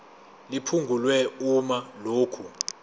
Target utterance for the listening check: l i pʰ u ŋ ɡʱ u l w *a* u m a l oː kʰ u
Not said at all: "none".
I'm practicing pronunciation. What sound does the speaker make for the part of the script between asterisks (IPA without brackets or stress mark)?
ɛ